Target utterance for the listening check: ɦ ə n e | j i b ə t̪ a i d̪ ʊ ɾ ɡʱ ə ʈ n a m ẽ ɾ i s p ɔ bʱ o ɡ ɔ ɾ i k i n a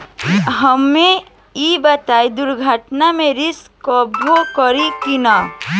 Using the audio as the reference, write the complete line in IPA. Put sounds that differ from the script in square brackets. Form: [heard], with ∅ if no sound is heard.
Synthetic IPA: ɦ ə [m] e | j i b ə t̪ a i d̪ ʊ ɾ ɡʱ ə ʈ n a m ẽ ɾ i s [k] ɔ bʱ o [k] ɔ ɾ i k i n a